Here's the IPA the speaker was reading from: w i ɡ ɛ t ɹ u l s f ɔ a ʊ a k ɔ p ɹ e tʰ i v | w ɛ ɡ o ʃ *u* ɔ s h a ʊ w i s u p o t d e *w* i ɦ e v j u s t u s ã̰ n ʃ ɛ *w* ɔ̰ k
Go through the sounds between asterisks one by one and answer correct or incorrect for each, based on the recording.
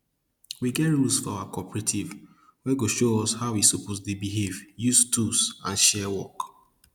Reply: incorrect, incorrect, correct

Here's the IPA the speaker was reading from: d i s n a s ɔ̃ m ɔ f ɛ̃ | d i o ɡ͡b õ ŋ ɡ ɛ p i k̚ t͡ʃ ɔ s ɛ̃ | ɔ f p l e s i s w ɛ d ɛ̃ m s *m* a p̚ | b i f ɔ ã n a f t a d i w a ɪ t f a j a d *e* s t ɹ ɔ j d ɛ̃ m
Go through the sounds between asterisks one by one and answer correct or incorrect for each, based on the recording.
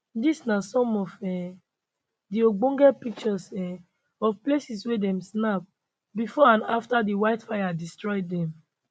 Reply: incorrect, incorrect

